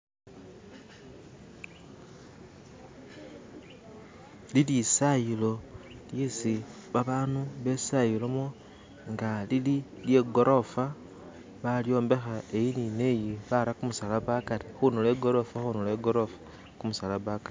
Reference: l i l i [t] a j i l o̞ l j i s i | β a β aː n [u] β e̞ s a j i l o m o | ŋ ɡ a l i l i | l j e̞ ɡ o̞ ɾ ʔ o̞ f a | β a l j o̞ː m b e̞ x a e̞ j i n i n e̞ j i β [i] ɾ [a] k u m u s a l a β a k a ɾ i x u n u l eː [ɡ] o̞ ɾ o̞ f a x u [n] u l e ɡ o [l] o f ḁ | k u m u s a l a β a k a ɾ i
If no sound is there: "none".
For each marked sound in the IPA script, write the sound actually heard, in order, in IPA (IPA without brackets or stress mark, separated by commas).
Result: s, u, a, a, ɡ, n, ɾ